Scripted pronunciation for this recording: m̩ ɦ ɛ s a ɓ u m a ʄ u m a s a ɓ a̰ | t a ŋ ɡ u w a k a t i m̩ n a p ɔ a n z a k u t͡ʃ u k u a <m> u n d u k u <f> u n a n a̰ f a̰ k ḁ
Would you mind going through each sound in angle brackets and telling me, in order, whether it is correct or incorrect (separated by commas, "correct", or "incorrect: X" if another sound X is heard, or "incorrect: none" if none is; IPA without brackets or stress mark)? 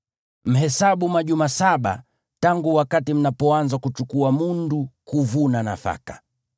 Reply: correct, incorrect: v